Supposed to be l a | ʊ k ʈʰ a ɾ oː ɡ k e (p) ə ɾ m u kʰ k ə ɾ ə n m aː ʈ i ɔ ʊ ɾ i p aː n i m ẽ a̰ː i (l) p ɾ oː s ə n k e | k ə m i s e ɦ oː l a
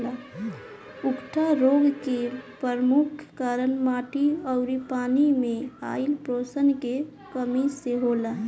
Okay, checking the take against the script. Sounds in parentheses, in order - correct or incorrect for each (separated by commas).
correct, correct